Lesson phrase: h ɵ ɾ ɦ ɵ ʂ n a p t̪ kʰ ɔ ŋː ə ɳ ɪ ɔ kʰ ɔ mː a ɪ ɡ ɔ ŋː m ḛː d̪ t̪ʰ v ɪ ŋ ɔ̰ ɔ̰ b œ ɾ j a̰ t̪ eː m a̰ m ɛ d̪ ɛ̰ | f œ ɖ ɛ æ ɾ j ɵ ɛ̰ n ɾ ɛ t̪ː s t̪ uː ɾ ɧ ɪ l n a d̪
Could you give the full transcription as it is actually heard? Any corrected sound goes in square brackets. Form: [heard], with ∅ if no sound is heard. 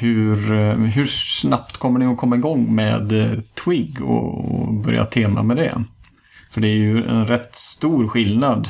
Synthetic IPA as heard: h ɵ ɾ ɦ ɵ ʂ n a p t̪ kʰ ɔ [mː] ə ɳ ɪ ɔ kʰ ɔ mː a ɪ ɡ ɔ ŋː m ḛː d̪ t̪ʰ [w] ɪ [ɡ] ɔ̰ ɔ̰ b œ ɾ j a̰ [t̪ʰ] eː m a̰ m ɛ d̪ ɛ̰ | f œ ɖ ɛ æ ɾ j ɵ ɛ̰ n ɾ ɛ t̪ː s t̪ uː ɾ ɧ ɪ l n a d̪